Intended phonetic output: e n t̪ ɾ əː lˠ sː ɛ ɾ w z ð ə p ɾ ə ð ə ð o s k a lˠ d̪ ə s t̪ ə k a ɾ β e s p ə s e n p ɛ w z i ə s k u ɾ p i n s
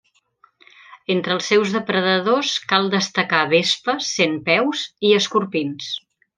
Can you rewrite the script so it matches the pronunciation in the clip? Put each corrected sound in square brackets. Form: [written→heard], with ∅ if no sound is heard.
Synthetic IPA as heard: e n t̪ ɾ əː lˠ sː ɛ [ɾ→∅] w z ð ə p ɾ ə ð ə ð o s k a lˠ d̪ ə s t̪ ə k a [ɾ→∅] β e s p ə s e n p ɛ w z i ə s k u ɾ p i n s